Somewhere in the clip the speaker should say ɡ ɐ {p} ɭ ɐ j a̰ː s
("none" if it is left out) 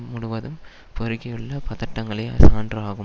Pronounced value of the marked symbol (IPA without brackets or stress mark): none